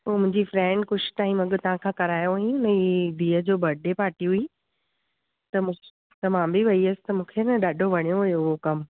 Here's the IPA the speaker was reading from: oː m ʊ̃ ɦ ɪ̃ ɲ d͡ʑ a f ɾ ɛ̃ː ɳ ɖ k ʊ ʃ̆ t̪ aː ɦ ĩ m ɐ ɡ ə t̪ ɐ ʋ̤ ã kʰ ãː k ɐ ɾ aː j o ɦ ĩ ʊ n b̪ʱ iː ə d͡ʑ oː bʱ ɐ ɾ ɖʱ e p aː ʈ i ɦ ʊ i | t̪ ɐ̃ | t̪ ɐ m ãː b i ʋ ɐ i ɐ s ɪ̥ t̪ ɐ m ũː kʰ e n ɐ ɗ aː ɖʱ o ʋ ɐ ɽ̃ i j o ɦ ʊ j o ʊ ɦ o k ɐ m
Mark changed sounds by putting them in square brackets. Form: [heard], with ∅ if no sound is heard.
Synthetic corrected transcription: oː m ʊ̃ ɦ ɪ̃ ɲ d͡ʑ [i] f ɾ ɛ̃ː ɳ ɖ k ʊ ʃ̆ t̪ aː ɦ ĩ m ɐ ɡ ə t̪ ɐ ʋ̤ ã kʰ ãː k ɐ ɾ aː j o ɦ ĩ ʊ n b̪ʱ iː ə d͡ʑ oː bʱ ɐ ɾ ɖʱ e p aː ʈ i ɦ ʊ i | t̪ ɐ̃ | t̪ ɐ m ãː b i ʋ ɐ i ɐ s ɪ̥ t̪ ɐ m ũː kʰ e n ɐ ɗ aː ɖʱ o ʋ ɐ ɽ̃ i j o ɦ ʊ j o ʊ ɦ o k ɐ m